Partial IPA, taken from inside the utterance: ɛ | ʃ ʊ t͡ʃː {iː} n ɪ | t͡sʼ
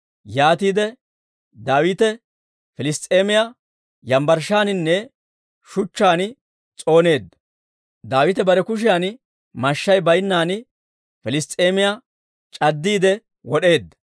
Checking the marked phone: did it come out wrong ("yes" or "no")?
yes